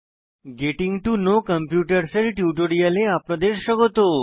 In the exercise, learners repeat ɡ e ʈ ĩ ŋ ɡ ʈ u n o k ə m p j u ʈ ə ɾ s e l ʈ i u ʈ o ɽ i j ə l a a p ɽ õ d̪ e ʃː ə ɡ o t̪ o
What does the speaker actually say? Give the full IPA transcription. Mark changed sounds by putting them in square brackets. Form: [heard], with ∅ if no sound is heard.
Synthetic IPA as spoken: ɡ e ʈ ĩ ŋ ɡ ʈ u n o k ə m p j u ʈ ə ɾ s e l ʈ [j] u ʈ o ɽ i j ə l [e] a p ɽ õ d̪ e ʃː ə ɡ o t̪ o